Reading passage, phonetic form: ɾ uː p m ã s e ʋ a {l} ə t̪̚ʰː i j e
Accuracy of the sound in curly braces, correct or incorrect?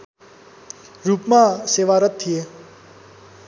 incorrect